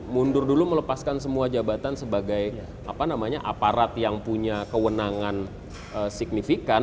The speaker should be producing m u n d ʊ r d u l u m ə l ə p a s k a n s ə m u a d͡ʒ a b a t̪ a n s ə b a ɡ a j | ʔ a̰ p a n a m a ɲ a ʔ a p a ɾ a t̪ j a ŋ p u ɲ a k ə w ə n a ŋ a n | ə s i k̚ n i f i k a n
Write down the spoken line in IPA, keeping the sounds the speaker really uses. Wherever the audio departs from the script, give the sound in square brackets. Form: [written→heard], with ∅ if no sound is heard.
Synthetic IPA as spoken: m u n d ʊ r d u l u m ə l ə p a s k a n s ə m u a d͡ʒ a b a t̪ a n s ə b a ɡ a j | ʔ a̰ p a n a m a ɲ a ʔ a p a ɾ a t̪ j a ŋ p u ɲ a k ə w ə n a ŋ a n | ə s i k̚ n i f i k a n